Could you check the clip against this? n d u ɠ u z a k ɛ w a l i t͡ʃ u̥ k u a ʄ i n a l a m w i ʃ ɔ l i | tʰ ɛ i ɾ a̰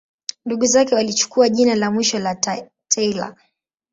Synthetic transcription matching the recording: n d u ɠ u z a k ɛ w a l i t͡ʃ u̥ k u a ʄ i n a l a m w i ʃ ɔ l a | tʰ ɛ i l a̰